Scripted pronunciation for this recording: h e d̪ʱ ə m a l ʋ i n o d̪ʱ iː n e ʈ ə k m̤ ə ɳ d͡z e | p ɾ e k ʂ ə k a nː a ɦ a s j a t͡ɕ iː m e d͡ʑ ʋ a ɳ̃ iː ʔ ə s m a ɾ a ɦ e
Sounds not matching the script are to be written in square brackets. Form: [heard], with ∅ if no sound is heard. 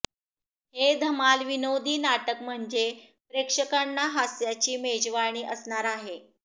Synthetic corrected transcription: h e d̪ʱ ə m a l ʋ i n o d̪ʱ iː n [a] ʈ ə k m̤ ə ɳ d͡z e | p ɾ e k ʂ ə k a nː a ɦ a s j a t͡ɕ iː m e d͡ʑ ʋ a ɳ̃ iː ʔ ə s [ɳ] a ɾ a ɦ e